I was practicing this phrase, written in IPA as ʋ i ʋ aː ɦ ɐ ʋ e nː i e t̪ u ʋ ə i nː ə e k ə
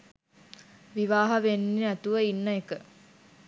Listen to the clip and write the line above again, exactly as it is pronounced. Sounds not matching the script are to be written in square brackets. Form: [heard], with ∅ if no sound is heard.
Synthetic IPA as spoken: ʋ i ʋ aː ɦ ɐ ʋ e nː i [æ] t̪ u ʋ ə i nː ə e k ə